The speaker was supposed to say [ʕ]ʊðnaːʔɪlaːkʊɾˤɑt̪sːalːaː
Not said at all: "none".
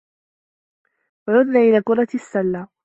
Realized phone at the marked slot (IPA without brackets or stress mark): ʕ